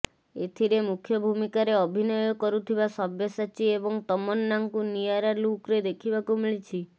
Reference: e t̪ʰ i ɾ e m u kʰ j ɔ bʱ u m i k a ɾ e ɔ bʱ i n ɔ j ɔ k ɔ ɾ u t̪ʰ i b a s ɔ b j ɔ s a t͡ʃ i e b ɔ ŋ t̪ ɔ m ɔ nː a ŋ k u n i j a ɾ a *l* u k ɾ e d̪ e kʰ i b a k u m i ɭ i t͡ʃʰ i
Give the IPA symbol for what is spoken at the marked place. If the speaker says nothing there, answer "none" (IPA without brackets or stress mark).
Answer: l